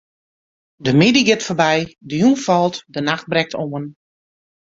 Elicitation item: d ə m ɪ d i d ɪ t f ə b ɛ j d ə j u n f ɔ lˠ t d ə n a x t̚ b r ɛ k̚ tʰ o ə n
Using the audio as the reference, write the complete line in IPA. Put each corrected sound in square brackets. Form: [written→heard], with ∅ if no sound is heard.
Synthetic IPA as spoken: d ə m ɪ d i [d→ɡ] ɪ t f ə b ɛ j d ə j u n f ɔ lˠ t d ə n a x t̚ b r ɛ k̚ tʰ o ə n

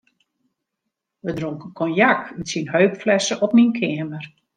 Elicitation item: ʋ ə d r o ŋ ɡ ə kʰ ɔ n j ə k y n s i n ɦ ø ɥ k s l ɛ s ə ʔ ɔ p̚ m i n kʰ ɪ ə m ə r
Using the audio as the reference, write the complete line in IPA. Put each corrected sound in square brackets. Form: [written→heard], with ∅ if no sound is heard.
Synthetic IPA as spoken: ʋ ə d r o ŋ [ɡ→k] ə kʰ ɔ n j [ə→a] k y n s i n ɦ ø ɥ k [s→f] l ɛ s ə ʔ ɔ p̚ m i n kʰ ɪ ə m ə r

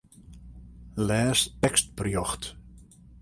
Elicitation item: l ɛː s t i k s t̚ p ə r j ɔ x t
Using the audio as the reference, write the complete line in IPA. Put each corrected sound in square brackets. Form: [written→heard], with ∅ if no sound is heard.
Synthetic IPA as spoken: l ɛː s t [i→ɛ] k s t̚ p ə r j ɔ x t

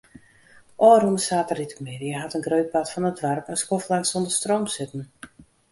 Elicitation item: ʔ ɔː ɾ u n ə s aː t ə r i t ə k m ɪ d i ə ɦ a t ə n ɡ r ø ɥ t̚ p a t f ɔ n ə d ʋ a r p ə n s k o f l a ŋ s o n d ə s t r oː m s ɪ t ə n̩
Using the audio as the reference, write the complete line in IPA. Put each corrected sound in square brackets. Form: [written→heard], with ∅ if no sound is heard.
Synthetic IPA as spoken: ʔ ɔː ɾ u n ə s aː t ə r i t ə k m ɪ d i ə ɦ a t ə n ɡ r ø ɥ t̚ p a t f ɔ n ə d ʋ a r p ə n s k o f l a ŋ s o n d ə s t r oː m s ɪ t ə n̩

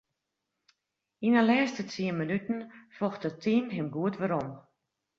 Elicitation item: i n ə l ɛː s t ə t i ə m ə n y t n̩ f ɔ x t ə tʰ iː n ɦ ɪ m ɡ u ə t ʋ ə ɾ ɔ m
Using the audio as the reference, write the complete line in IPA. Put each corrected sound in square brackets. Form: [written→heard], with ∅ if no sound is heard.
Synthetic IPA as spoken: i n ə l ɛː s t ə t i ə m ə n y t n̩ f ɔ x t ə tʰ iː n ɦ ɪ m ɡ u ə t ʋ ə ɾ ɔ m

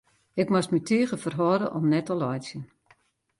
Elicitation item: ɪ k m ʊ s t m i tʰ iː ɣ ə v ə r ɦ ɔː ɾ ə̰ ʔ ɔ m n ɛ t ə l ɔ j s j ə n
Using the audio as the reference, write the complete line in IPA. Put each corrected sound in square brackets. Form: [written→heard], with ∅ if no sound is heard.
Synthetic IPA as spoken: ɪ k m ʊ s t m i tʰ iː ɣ ə [v→f] ə r ɦ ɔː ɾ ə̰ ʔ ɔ m n ɛ t ə l ɔ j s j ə n

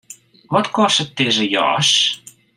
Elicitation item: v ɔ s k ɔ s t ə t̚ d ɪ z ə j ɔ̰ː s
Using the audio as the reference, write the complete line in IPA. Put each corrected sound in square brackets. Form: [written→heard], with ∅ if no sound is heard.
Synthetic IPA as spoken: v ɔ [s→t] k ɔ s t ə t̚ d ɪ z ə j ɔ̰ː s

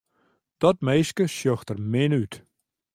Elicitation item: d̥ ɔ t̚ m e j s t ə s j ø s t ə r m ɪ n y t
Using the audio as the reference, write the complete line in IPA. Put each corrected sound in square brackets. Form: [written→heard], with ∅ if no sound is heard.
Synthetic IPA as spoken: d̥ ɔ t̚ m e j s [t→k] ə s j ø [s→x] t ə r m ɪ n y t

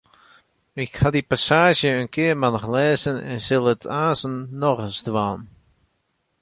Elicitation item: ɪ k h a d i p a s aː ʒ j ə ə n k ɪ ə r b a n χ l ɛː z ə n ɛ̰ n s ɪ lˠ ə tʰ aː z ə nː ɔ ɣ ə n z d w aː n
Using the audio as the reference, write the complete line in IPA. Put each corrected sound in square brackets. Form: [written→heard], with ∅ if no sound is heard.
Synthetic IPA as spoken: ɪ k h a d i p a s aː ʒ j ə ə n k ɪ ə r [b→m] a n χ l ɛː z ə n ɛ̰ n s ɪ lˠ ə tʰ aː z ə nː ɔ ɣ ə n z d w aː n

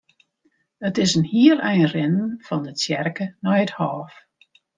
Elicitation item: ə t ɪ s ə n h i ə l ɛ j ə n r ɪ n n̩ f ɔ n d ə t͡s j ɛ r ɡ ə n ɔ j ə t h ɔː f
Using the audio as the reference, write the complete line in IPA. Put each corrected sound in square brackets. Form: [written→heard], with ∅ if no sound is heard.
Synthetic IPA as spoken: ə t ɪ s ə n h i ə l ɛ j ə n r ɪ n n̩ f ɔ n d ə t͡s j ɛ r [ɡ→k] ə n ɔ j ə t h ɔː f

